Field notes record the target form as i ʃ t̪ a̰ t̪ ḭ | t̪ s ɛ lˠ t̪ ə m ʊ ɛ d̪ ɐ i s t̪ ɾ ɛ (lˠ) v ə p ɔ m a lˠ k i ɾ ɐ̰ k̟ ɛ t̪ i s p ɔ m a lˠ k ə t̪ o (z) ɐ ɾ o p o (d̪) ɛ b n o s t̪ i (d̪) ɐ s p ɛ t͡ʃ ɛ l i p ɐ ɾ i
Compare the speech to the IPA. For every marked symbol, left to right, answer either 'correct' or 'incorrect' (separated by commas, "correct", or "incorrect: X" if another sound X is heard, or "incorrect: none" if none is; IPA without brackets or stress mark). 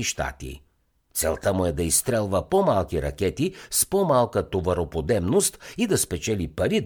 correct, incorrect: v, correct, correct